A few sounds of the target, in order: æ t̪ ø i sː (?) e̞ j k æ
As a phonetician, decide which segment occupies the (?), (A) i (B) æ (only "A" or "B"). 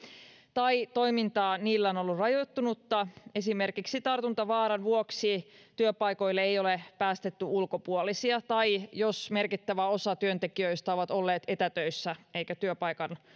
B